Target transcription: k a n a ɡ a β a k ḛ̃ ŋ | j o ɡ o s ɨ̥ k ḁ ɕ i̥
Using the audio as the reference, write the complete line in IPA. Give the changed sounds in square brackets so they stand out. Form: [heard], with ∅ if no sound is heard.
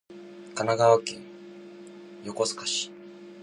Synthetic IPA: k a n a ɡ a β a k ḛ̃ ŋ | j o [k] o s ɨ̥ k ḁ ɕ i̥